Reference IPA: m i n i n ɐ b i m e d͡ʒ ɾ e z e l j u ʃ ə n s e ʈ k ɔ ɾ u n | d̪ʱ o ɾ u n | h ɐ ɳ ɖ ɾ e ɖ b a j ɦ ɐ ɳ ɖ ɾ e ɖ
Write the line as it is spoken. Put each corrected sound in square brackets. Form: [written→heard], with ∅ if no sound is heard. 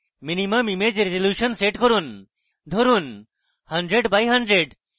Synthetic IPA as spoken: m i n i [n→m] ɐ [b→m] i m e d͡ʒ ɾ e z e l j u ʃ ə n s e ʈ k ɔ ɾ u n | d̪ʱ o ɾ u n | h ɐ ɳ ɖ ɾ e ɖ b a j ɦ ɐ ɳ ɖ ɾ e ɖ